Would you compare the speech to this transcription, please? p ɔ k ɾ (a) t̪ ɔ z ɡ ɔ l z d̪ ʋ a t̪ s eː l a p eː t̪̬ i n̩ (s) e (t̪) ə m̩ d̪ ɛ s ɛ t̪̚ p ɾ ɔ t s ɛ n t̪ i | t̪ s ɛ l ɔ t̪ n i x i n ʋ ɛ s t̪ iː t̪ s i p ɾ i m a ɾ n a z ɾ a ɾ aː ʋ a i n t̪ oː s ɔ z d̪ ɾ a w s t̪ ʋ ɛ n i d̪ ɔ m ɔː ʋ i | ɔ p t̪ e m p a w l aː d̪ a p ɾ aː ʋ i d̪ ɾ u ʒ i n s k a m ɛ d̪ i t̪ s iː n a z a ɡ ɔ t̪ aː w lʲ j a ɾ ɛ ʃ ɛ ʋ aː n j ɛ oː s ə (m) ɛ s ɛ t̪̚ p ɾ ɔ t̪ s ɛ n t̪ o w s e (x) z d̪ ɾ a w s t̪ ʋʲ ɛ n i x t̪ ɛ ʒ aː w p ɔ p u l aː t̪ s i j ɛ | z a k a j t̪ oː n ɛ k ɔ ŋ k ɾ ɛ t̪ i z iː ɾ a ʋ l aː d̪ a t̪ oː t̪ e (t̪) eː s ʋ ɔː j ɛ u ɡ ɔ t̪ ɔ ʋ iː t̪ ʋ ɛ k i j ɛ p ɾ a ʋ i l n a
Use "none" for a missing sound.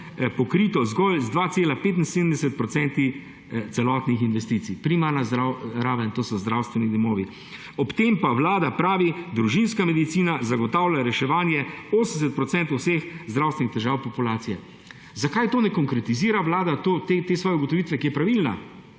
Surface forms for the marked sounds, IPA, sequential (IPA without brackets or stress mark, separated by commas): i, s, d̪, n, x, t̪